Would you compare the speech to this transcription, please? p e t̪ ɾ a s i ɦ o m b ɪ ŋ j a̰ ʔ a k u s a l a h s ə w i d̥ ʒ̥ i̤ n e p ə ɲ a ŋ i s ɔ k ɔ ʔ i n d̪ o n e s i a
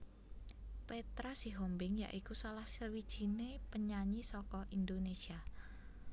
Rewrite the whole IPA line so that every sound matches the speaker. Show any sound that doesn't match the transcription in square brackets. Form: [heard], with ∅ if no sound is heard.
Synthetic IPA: p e t̪ ɾ a s i ɦ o m b ɪ ŋ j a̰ ʔ [i] k u s a l a h s ə w i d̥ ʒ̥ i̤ n e p ə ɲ a [ɲ] i s ɔ k ɔ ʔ i n d̪ o n e s i a